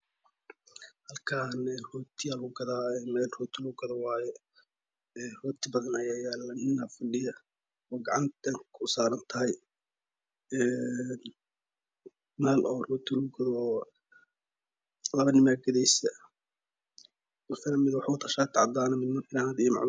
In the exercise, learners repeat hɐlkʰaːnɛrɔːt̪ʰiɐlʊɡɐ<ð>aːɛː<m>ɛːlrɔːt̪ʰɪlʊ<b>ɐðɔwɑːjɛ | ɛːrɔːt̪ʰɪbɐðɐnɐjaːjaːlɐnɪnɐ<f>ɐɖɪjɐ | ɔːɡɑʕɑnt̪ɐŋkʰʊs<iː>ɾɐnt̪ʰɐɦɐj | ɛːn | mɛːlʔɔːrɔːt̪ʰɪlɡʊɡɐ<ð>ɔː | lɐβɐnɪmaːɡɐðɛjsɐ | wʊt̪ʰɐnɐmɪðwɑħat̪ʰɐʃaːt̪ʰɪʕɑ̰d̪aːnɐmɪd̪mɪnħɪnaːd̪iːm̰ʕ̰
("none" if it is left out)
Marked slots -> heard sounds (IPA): ð, m, ɡ, f, aː, ð

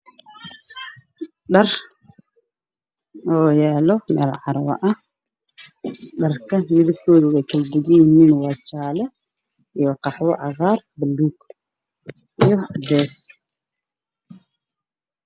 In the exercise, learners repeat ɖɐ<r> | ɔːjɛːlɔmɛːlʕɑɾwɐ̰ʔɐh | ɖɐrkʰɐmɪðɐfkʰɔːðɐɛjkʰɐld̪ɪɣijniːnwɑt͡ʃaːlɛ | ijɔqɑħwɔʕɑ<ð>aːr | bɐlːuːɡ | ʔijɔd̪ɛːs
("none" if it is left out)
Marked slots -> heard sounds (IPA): r, ɣ

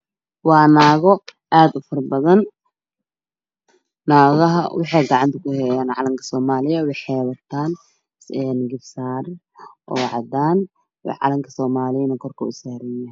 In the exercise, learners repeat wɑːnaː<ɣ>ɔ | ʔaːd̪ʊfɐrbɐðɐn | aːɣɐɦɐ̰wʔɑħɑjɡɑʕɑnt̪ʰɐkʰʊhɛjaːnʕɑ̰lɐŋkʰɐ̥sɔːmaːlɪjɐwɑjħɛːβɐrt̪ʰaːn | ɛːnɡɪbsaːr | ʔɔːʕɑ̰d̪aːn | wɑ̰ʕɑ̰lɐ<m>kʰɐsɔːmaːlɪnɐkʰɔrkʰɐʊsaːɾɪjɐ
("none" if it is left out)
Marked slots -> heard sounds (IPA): ɣ, ŋ

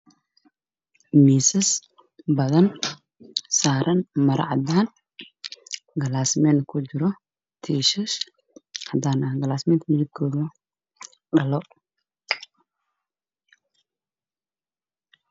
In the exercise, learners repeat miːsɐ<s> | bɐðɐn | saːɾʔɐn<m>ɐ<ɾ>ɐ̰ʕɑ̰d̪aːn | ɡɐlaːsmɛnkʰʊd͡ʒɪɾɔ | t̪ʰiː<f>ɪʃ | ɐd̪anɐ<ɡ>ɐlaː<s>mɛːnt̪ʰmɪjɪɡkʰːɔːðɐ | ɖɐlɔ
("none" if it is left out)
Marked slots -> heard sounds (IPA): s, m, ɾ, ʃ, ɡ, s

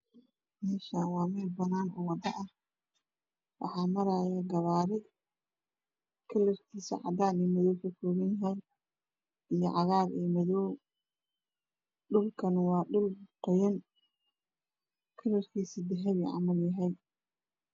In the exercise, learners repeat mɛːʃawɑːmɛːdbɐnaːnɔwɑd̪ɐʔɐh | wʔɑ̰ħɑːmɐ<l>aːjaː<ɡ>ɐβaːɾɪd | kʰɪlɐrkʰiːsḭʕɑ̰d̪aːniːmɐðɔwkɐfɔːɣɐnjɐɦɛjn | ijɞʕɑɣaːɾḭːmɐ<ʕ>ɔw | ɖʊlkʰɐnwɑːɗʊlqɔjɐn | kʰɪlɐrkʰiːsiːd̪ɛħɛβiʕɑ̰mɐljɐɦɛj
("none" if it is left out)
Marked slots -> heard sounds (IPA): ɾ, ɡ, ð

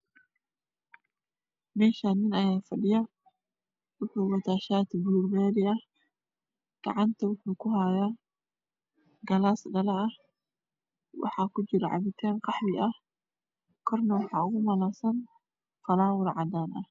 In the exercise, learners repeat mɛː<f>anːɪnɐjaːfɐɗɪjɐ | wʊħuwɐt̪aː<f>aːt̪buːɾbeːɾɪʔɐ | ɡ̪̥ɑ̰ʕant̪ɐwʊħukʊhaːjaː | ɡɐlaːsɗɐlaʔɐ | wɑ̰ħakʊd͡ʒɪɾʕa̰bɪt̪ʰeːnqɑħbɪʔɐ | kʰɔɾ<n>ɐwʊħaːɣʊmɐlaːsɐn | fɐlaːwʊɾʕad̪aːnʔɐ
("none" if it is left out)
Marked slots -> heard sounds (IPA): ʃ, ʃ, n

